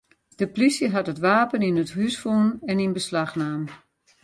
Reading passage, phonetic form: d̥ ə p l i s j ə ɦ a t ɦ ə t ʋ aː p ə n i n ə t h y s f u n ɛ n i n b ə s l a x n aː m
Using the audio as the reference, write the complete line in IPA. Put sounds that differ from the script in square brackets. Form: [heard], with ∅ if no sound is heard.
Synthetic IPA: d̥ ə p l i s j ə ɦ a t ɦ ə t ʋ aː p ə n i n ə t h y s f u n ɛ n i n b ə s l a x n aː m